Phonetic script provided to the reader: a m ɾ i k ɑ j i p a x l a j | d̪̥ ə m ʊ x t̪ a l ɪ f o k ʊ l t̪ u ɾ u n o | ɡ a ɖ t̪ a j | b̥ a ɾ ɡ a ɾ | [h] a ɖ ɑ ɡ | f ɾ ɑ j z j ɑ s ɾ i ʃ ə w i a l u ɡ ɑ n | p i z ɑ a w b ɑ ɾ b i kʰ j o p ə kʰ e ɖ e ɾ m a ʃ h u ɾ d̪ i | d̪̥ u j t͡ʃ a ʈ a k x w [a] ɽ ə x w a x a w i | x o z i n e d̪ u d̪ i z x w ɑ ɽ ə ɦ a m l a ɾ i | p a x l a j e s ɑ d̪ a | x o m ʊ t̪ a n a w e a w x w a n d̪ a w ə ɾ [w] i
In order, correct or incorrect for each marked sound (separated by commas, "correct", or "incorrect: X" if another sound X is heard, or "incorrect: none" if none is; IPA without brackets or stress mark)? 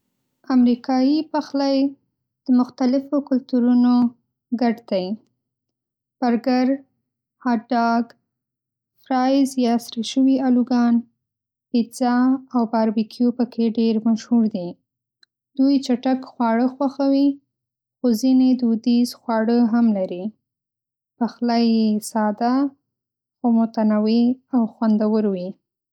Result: correct, incorrect: ɑ, correct